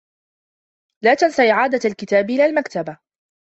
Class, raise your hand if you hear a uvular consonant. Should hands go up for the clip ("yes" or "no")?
no